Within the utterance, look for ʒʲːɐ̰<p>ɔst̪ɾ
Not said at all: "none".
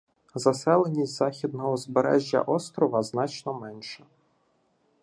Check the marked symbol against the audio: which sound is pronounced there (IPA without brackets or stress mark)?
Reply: ʔ